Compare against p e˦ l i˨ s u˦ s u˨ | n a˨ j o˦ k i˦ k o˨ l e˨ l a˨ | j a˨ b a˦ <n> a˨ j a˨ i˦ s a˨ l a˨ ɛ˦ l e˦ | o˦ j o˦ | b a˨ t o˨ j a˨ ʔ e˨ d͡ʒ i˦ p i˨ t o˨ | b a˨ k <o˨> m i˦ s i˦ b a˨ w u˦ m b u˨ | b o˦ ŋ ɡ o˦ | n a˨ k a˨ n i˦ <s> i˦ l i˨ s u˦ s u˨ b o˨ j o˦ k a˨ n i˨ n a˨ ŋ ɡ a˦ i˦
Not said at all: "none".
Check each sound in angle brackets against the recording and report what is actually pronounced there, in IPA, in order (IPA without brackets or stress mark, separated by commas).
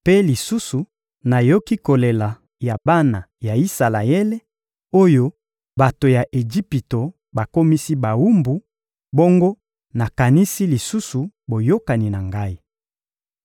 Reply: n, o˦, s